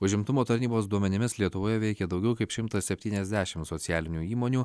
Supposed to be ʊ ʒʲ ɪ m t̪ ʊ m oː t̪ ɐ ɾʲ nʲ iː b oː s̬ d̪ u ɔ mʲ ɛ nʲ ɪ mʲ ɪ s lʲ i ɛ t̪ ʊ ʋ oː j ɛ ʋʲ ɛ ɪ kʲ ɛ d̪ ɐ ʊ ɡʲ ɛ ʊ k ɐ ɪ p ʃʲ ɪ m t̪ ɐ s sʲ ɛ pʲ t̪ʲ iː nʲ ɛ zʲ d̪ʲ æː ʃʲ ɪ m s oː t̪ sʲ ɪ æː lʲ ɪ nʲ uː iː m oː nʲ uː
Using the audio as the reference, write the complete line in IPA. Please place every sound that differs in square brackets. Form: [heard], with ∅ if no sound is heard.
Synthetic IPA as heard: ʊ ʒʲ ɪ m t̪ ʊ m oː t̪ ɐ ɾʲ nʲ iː b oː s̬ d̪ u ɔ mʲ ɛ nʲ ɪ mʲ ɪ s lʲ i ɛ t̪ ʊ ʋ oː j ɛ ʋʲ ɛ ɪ kʲ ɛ d̪ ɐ ʊ ɡʲ ɛ ʊ k ɐ ɪ p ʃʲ ɪ m t̪ ɐ s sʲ ɛ pʲ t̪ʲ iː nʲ ɛ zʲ d̪ʲ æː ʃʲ ɪ m s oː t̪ sʲ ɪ æː lʲ ɪ nʲ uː iː m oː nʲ uː